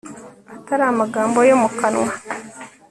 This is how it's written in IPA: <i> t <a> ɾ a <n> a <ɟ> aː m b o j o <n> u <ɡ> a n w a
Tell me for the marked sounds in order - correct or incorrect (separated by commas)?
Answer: incorrect, correct, incorrect, incorrect, incorrect, incorrect